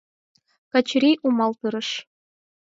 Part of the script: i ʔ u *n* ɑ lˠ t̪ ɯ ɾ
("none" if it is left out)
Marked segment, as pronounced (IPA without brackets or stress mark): m